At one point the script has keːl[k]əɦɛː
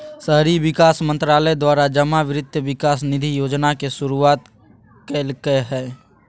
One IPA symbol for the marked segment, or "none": k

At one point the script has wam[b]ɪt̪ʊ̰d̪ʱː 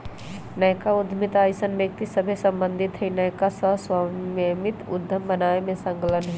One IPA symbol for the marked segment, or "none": m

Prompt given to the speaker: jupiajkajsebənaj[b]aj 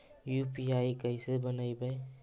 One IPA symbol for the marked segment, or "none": b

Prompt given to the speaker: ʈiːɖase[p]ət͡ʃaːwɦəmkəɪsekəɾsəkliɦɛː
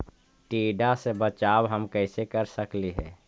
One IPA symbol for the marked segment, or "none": b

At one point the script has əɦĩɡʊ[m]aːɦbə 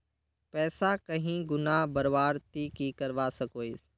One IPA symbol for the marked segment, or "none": n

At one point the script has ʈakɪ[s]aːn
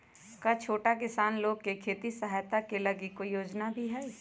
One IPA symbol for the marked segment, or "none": s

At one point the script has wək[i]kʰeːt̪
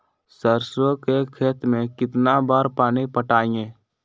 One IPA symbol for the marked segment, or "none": e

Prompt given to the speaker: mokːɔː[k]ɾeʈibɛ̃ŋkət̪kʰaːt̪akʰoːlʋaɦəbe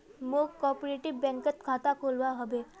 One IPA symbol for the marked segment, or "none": p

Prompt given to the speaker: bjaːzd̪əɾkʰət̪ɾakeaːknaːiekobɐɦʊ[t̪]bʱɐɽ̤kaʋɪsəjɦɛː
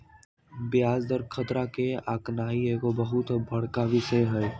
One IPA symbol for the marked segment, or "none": t̪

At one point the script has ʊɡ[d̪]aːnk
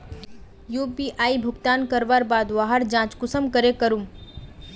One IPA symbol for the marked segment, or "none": t̪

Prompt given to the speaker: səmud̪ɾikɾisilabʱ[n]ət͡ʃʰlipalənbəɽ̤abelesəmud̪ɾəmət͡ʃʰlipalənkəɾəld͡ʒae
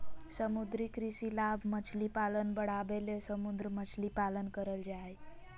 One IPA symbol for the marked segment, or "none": m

